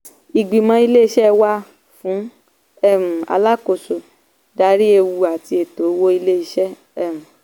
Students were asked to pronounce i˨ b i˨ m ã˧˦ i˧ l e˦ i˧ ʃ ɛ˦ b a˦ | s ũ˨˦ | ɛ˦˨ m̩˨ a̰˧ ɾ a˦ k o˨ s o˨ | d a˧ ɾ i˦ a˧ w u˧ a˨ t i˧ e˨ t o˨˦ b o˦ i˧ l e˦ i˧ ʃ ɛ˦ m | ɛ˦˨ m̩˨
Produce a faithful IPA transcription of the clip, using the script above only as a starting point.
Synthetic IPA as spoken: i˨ ɡ͡b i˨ m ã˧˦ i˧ l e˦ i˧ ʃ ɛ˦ w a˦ | f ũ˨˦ | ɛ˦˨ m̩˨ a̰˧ l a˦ k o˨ s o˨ | d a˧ ɾ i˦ e˧ w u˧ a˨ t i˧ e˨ t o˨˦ w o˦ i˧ l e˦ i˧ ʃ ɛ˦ | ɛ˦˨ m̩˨

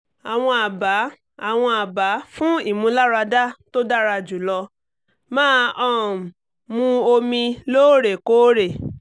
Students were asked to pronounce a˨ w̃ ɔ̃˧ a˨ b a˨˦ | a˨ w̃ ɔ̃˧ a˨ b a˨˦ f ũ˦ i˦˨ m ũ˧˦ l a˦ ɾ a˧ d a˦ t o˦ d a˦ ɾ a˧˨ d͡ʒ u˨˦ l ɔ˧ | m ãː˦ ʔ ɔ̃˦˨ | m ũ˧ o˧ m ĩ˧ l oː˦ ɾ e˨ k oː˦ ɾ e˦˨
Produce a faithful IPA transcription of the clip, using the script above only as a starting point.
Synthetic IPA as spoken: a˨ w̃ ɔ̃˧ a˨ b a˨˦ | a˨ w̃ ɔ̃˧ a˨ b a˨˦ f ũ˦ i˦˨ m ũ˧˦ l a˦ ɾ a˧ d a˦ t o˦ d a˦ ɾ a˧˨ d͡ʒ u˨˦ l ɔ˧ | m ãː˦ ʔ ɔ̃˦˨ | m ũ˧ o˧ m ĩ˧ l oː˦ ɾ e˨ k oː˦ ɾ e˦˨

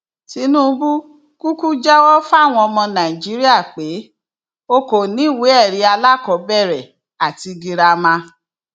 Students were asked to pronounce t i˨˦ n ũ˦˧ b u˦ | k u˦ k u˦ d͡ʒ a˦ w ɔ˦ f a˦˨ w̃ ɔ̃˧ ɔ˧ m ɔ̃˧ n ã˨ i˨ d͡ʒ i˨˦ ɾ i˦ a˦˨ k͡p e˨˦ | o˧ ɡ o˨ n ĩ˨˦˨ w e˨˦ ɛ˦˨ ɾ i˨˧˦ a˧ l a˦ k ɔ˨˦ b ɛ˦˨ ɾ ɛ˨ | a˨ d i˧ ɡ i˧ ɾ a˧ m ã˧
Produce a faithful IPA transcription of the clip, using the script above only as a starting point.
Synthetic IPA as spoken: t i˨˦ n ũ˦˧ b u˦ | k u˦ k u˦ d͡ʒ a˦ w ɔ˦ f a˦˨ w̃ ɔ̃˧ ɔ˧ m ɔ̃˧ n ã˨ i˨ d͡ʒ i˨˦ ɾ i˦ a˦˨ k͡p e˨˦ | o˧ k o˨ n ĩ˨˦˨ w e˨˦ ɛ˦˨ ɾ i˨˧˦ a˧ l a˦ k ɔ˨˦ b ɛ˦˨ ɾ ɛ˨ | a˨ t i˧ ɡ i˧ ɾ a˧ m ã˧

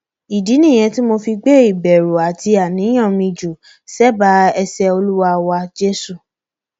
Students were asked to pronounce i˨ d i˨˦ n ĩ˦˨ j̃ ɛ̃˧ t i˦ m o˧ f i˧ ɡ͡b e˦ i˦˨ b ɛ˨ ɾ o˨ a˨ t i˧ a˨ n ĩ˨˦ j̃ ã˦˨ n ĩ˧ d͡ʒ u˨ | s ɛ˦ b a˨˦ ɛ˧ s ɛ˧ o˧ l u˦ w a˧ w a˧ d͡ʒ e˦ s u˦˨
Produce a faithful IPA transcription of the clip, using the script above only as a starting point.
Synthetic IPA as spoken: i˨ d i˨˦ n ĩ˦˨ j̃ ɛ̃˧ t i˦ m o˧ f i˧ ɡ͡b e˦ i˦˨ b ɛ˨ ɾ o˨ a˨ t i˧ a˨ n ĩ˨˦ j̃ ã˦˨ m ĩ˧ d͡ʒ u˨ | s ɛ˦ b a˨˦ ɛ˧ s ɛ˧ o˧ l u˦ w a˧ w a˧ d͡ʒ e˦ s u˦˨

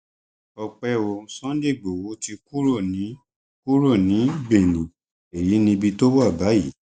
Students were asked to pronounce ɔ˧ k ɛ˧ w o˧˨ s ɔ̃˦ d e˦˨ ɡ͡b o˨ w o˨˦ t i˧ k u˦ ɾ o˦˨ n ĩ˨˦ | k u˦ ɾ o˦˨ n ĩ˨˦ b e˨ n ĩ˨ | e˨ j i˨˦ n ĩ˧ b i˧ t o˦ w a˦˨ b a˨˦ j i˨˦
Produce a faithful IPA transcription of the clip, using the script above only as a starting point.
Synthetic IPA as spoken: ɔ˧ k͡p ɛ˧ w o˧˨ s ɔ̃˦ d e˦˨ ɡ͡b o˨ w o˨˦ t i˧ k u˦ ɾ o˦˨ n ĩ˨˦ | k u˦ ɾ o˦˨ n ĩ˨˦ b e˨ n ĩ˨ | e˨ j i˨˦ n ĩ˧ b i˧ t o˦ w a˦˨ b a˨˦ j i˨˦

